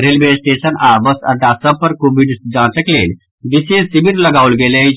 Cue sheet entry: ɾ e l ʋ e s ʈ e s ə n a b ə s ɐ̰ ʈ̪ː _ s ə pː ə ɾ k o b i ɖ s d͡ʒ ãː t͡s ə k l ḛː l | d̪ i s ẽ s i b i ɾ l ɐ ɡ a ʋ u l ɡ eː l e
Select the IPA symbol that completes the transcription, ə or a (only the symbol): a